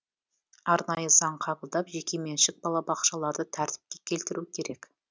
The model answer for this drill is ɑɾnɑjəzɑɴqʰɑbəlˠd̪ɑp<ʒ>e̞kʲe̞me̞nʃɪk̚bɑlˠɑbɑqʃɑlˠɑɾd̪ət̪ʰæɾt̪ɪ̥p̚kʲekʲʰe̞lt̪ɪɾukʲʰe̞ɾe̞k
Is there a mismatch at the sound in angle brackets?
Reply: no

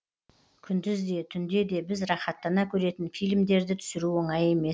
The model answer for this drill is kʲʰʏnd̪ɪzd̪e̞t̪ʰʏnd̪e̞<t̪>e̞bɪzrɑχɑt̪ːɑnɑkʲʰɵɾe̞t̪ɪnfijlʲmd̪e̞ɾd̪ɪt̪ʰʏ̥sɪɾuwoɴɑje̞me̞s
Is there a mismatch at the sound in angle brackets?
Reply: yes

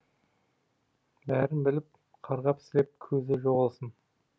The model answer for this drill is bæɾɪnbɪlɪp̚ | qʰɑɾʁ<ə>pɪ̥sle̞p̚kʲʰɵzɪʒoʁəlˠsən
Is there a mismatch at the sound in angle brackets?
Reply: yes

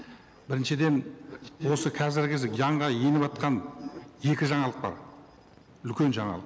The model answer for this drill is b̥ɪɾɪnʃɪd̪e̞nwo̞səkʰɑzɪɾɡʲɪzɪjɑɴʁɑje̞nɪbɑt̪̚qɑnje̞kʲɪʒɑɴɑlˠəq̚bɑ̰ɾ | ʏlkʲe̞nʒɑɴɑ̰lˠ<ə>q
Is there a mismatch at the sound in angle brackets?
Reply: no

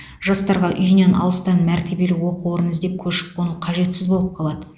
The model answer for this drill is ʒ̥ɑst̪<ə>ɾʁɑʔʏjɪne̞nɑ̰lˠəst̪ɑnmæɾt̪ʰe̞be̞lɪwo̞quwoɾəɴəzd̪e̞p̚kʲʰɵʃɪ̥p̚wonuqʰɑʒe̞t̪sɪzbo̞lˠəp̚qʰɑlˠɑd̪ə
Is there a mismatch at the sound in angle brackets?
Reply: yes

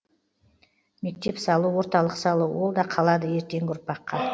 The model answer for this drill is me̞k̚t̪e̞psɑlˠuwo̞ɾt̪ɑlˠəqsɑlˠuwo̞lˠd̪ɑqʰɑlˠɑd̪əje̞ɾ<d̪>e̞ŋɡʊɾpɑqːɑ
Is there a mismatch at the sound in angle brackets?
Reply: yes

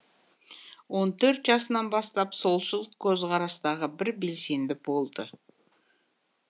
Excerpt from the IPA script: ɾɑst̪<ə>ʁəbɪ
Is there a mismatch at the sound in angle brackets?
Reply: yes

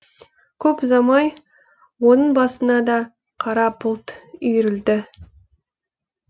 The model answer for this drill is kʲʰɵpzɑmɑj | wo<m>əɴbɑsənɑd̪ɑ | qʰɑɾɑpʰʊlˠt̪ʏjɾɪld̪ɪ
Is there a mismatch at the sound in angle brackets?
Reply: yes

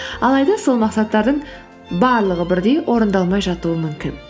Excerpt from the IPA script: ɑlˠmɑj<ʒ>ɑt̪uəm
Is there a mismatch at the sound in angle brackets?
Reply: no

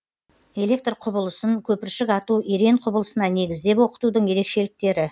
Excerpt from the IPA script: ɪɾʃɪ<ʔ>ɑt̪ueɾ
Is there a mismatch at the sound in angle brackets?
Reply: yes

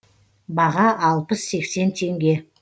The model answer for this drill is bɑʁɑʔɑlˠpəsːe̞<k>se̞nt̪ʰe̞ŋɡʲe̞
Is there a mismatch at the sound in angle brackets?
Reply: no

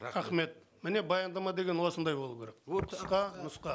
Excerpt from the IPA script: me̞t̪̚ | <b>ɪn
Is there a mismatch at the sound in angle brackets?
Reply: yes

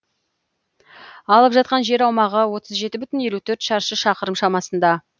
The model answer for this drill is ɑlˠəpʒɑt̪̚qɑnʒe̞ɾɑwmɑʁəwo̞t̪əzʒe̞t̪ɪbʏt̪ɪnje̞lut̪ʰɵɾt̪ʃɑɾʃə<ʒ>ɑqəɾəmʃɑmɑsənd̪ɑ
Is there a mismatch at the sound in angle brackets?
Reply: yes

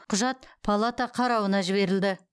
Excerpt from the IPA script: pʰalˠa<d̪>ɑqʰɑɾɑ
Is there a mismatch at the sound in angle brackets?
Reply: yes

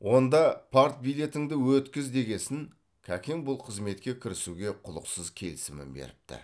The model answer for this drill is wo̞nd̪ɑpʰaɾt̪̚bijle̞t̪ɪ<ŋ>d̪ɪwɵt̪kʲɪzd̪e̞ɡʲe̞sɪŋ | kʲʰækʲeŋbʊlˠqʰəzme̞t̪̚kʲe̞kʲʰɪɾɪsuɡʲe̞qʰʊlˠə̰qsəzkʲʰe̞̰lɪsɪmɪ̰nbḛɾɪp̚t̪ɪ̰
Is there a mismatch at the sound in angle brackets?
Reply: no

